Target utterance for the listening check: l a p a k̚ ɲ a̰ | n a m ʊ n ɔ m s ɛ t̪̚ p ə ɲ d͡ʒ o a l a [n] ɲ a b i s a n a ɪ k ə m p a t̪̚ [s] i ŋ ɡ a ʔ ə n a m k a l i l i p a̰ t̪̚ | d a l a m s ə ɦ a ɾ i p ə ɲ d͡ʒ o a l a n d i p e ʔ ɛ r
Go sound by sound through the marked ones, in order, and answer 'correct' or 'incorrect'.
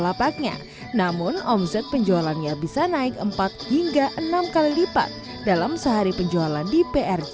correct, incorrect

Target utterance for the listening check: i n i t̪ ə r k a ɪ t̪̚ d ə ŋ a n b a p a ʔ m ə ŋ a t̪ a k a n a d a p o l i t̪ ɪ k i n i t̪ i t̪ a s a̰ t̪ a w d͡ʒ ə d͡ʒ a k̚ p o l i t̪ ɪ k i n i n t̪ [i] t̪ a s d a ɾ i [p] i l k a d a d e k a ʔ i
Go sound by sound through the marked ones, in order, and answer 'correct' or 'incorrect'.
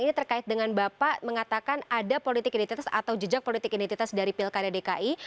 correct, correct

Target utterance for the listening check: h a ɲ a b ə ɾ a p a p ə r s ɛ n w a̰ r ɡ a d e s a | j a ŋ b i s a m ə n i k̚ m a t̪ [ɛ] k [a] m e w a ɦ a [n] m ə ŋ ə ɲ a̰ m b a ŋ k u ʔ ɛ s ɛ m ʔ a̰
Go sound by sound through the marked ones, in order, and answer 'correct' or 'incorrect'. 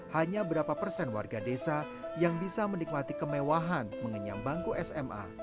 incorrect, incorrect, correct

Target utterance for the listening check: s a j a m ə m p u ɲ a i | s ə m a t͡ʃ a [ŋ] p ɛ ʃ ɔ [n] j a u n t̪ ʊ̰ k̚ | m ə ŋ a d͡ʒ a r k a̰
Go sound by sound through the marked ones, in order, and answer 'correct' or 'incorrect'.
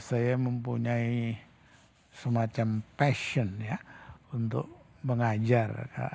incorrect, correct

